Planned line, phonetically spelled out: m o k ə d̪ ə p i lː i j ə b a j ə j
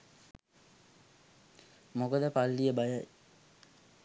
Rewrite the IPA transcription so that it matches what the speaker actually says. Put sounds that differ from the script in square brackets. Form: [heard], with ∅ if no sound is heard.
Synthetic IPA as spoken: m o k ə d̪ ə p [a] lː i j ə b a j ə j